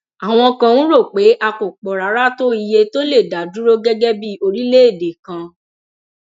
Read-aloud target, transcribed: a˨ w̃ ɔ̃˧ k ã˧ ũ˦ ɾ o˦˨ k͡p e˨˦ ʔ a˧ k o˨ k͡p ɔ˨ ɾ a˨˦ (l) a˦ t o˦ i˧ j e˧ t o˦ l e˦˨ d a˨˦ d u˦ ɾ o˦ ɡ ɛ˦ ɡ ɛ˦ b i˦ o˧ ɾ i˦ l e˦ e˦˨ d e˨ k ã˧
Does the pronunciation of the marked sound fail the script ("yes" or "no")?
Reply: yes